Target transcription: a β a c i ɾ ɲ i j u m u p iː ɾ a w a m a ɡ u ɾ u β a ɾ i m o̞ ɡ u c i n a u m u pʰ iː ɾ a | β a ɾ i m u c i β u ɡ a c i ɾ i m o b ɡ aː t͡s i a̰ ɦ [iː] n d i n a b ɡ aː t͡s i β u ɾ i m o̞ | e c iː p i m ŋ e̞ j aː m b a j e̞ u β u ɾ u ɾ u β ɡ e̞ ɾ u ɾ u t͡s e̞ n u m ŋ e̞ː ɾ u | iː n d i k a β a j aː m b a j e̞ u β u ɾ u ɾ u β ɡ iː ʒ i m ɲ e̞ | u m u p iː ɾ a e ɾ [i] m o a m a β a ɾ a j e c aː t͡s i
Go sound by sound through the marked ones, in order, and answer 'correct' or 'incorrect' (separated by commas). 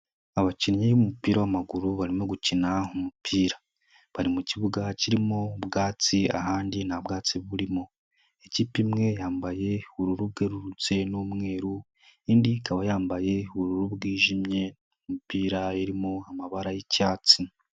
incorrect, correct